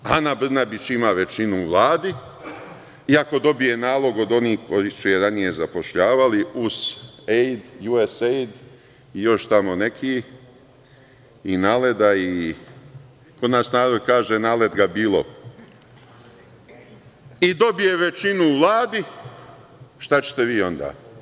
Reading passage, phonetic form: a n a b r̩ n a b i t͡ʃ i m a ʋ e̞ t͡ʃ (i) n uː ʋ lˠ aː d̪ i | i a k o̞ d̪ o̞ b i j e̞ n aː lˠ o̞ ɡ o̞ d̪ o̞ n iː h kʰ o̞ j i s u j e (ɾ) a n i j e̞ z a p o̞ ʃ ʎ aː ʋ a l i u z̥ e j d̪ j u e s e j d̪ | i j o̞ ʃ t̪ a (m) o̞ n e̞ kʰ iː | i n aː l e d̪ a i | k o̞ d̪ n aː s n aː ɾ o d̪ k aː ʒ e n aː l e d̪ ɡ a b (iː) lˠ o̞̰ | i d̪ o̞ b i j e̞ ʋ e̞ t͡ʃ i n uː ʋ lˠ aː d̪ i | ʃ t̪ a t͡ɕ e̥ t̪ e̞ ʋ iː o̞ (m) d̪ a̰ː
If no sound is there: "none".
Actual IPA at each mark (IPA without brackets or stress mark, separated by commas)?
i, ɾ, m, iː, n